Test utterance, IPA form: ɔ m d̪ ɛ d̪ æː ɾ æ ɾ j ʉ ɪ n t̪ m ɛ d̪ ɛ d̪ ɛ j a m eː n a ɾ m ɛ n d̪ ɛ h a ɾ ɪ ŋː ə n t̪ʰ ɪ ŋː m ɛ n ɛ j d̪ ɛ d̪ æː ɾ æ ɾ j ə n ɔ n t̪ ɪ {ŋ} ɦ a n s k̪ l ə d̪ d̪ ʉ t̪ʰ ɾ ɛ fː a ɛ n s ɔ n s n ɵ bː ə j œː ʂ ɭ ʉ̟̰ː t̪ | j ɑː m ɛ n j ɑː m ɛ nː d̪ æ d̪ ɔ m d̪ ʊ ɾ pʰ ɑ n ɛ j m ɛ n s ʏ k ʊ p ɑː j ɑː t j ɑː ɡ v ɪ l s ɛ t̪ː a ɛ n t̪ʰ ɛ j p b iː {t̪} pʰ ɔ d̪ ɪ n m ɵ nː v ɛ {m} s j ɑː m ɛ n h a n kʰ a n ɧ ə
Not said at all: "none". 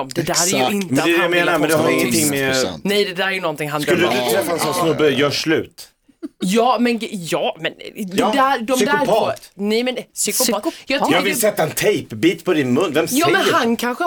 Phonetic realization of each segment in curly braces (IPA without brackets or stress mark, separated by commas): ŋ, t̪, m